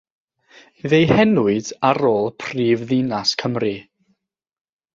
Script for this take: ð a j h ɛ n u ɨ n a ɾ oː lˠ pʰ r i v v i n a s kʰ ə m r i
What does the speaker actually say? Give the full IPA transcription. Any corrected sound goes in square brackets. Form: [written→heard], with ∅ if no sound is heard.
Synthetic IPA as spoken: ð [a→e] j h ɛ n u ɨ [n→d] a ɾ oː lˠ pʰ r [i→iː] v [v→ð] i n a s kʰ ə m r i